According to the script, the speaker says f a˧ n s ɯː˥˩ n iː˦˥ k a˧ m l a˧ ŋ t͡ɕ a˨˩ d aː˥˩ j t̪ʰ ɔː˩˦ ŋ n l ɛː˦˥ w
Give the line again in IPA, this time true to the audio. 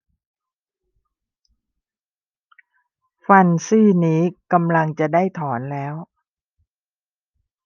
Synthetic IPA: f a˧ n s ɯː˥˩ n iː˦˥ k a˧ m l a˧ ŋ t͡ɕ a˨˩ d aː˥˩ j t̪ʰ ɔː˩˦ n l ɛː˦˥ w